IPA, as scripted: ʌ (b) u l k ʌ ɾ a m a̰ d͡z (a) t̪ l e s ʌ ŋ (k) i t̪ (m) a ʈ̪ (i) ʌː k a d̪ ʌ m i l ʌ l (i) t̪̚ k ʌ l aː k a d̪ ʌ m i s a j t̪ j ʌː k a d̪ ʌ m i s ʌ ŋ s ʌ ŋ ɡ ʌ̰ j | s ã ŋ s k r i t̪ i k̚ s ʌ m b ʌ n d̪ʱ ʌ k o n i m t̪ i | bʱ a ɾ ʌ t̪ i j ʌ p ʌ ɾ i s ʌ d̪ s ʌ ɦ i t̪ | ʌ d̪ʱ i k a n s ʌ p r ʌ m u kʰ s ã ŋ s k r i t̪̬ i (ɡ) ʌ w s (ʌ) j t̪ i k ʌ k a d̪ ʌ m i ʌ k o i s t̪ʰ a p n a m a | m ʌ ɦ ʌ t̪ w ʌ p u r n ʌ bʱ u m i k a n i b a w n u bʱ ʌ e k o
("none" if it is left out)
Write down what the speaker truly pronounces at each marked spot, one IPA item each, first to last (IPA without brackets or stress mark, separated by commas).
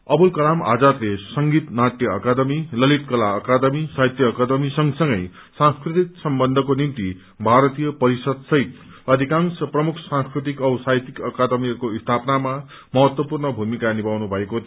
b, a, ɡ, n, j, i, k, a